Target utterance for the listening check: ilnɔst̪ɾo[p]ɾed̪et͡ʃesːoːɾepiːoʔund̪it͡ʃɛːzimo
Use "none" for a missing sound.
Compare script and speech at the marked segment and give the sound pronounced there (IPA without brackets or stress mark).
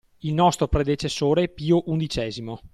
p